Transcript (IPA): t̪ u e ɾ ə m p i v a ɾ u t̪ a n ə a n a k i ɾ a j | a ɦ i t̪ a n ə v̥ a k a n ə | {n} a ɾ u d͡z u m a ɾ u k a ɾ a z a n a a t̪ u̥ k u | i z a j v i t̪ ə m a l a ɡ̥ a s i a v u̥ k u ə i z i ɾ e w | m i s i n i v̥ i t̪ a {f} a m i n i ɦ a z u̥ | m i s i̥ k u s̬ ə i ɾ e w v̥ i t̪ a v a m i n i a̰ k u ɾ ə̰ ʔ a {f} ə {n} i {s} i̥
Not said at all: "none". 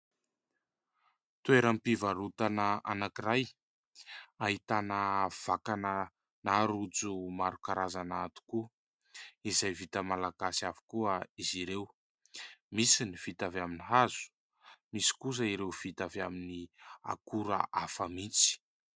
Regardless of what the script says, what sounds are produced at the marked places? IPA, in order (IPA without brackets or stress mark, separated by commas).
n, v, f, m, t͡s